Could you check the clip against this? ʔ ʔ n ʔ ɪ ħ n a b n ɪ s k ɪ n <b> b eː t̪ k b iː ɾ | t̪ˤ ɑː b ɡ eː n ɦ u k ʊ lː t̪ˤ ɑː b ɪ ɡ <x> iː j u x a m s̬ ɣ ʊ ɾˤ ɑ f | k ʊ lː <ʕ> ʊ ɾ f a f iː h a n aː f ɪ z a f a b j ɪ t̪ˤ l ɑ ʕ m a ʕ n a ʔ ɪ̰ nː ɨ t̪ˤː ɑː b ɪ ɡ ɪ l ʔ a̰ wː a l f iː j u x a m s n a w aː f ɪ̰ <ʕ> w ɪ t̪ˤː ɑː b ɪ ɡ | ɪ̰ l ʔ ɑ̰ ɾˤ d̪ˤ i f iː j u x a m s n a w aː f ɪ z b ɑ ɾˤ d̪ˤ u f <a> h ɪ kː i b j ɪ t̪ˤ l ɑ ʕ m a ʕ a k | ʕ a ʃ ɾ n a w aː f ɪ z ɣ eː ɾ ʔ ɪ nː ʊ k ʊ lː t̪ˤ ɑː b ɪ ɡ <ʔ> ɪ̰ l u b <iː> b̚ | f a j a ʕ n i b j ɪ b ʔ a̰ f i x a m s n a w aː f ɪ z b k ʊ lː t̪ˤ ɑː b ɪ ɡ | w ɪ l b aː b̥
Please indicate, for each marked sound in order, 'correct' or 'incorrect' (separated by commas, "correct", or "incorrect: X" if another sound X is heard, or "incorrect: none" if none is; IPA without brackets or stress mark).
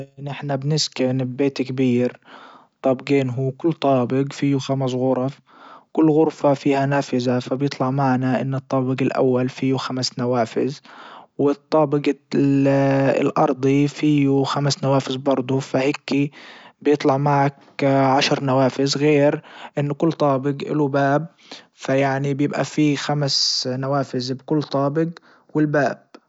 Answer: correct, incorrect: f, incorrect: ɣ, incorrect: z, correct, correct, incorrect: aː